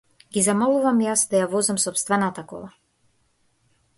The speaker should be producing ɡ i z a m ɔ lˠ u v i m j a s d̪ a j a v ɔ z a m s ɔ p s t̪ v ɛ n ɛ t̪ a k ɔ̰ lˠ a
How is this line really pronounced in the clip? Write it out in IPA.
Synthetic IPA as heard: ɡ i z a m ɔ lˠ u v a m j a s d̪ a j a v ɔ z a m s ɔ p s t̪ v ɛ n a t̪ a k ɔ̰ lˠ a

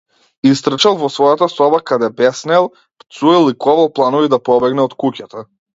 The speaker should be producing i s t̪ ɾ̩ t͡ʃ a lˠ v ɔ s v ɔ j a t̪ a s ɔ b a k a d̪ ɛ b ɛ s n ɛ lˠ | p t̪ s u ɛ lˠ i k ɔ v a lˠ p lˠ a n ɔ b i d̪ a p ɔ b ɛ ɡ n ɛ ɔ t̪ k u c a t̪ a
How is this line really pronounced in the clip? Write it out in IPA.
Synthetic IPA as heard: i s t̪ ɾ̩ t͡ʃ a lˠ v ɔ s v ɔ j a t̪ a s ɔ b a k a d̪ ɛ b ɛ s n ɛ lˠ | p t̪ s u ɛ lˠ i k ɔ v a lˠ p lˠ a n ɔ v i d̪ a p ɔ b ɛ ɡ n ɛ ɔ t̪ k u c a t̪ a

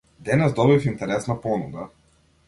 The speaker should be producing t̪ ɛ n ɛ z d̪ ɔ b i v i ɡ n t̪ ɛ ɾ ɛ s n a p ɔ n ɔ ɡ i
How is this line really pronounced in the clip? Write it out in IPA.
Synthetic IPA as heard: d̪ ɛ n ɛ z d̪ ɔ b i f i n t̪ ɛ ɾ ɛ s n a p ɔ n u ɡ a

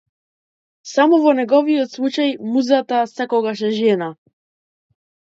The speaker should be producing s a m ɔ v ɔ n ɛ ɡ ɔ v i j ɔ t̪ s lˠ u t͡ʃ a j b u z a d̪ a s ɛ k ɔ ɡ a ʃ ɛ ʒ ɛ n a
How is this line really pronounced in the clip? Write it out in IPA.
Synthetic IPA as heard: s a m ɔ v ɔ n ɛ ɡ ɔ v i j ɔ t̪ s lˠ u t͡ʃ a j m u z a t̪ a s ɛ k ɔ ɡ a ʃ ɛ ʒ ɛ n a

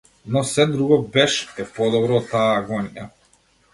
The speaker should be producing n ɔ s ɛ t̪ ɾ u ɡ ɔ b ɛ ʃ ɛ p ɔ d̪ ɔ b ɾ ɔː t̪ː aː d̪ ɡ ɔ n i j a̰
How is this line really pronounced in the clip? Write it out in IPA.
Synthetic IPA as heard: n ɔ s ɛ d̪ ɾ u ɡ ɔ b ɛ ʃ ɛ p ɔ d̪ ɔ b ɾ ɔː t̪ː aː ɡ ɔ n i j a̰

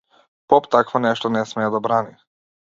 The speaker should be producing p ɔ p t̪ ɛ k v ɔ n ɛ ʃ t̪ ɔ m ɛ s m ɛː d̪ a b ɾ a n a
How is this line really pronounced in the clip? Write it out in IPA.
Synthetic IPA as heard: p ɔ p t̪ a k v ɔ n ɛ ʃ t̪ ɔ n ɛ s m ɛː d̪ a b ɾ a n i

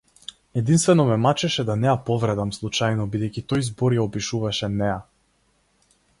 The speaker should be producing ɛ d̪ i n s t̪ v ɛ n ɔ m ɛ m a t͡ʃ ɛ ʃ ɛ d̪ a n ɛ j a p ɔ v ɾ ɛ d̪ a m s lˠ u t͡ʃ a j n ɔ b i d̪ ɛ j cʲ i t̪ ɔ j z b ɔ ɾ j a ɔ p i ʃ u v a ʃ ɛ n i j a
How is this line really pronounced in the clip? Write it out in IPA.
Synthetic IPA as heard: ɛ d̪ i n s t̪ v ɛ n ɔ m ɛ m a t͡ʃ ɛ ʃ ɛ d̪ a n ɛ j a p ɔ v ɾ ɛ d̪ a m s lˠ u t͡ʃ a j n ɔ b i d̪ ɛ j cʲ i t̪ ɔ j z b ɔ ɾ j a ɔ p i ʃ u v a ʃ ɛ n ɛ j a

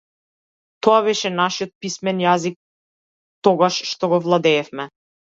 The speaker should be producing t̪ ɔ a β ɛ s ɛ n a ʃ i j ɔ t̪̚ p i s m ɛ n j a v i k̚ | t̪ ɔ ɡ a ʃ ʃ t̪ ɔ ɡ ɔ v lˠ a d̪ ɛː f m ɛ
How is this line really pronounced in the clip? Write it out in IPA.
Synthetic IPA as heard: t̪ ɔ a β ɛ ʃ ɛ n a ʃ i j ɔ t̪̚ p i s m ɛ n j a z i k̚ | t̪ ɔ ɡ a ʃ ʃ t̪ ɔ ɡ ɔ v lˠ a d̪ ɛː f m ɛ

